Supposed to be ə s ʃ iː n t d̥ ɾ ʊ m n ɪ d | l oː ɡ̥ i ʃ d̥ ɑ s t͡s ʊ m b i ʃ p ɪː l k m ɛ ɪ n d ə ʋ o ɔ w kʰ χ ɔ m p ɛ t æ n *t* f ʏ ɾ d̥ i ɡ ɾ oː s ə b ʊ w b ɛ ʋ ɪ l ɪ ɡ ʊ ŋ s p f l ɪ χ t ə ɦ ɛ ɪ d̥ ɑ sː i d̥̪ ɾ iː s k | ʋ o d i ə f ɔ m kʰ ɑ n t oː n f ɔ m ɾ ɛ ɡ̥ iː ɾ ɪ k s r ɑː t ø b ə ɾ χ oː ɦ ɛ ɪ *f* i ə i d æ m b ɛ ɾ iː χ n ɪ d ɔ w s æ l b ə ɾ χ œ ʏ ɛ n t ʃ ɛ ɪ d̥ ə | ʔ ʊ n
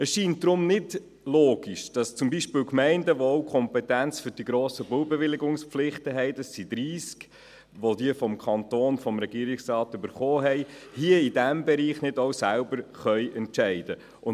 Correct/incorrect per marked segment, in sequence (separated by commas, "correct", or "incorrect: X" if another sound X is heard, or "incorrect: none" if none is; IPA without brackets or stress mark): incorrect: t͡s, incorrect: h